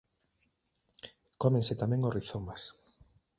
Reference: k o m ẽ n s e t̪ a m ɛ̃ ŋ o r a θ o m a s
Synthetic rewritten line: k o m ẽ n s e t̪ a m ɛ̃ ŋ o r i θ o m a s